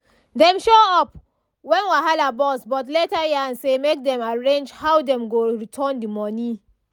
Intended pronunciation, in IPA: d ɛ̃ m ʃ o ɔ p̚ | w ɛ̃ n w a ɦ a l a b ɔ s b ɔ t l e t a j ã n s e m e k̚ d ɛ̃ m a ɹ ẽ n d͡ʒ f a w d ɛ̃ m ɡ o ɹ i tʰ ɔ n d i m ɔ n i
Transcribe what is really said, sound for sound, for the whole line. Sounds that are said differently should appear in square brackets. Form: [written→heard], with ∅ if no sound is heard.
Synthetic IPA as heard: d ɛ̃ m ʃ o ɔ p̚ | w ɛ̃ n w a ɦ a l a b ɔ s b ɔ t l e t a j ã n s e m e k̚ d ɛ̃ m a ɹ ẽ n d͡ʒ [f→h] a w d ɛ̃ m ɡ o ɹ i tʰ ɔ n d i m ɔ n i